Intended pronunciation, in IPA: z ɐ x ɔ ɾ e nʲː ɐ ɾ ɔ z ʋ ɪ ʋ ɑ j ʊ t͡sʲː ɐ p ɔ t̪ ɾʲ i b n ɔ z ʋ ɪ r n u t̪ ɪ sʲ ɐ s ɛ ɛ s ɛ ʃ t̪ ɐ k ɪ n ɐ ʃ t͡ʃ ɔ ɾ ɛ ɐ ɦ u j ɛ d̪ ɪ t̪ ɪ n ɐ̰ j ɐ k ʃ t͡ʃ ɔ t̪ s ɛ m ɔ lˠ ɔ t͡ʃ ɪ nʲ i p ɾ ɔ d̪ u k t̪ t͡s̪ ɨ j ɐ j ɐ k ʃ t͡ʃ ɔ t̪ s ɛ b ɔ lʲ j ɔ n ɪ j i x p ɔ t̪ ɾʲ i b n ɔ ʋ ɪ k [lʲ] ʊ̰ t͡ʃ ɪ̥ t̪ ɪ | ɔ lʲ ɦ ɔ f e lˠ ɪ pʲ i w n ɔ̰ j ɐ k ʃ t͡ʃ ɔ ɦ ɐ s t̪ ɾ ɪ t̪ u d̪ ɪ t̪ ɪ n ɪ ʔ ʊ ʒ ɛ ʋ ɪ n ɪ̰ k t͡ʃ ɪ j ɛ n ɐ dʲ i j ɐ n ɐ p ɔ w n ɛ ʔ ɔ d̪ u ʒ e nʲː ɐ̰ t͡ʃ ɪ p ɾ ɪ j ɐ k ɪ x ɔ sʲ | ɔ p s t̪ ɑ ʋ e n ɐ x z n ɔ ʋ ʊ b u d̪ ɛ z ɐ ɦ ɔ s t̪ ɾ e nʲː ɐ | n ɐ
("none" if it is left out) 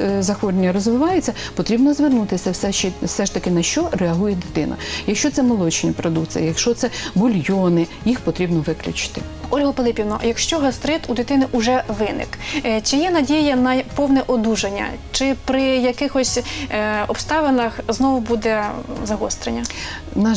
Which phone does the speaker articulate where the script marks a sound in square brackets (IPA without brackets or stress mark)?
lʲ